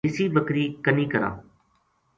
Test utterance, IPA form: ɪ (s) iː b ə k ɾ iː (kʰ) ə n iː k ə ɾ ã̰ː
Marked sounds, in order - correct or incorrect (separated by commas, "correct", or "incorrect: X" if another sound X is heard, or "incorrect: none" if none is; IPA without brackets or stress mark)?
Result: correct, incorrect: k